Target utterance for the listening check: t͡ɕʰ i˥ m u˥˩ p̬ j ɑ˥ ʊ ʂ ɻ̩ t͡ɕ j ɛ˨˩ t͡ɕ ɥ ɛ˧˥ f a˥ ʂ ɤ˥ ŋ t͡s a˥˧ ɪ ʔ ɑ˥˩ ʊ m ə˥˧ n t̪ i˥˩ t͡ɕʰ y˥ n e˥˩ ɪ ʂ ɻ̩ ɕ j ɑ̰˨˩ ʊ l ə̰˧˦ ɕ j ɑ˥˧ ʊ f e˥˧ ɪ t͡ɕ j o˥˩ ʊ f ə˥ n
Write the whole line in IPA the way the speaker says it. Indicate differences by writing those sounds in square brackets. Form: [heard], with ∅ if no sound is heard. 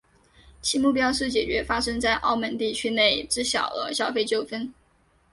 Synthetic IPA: t͡ɕʰ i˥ m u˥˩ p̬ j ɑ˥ ʊ ʂ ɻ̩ t͡ɕ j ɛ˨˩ t͡ɕ ɥ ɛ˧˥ f a˥ ʂ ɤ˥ ŋ t͡s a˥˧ ɪ ʔ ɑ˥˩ ʊ m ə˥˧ n t̪ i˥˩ t͡ɕʰ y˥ n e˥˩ ɪ [ʈ͡ʂ] ɻ̩ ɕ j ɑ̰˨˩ ʊ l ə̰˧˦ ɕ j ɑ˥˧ ʊ f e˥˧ ɪ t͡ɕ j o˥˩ ʊ f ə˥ n